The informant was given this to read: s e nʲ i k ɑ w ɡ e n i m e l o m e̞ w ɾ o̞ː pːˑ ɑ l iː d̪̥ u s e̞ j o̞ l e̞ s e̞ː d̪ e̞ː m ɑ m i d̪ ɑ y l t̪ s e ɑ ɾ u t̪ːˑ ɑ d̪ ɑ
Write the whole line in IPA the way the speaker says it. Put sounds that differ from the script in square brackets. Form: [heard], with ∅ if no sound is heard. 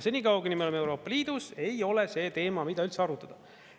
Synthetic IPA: s e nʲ i k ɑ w ɡ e n i m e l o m e̞ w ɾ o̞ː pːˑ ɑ l iː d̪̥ u s e̞ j o̞ l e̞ s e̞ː [t̪] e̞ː m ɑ m i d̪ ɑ y l t̪ s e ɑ ɾ u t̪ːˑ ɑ d̪ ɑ